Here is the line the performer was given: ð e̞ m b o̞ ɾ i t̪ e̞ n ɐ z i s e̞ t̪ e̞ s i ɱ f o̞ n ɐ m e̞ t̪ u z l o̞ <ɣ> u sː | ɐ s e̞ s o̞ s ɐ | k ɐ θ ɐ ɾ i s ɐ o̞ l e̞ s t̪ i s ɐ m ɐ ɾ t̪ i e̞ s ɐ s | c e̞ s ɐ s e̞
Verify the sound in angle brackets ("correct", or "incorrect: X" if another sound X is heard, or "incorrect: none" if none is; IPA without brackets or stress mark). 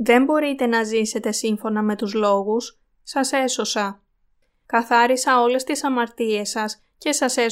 correct